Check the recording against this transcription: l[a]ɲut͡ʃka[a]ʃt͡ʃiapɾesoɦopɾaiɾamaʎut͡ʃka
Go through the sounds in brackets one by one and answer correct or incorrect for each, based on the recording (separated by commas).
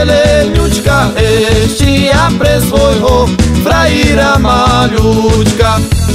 incorrect, incorrect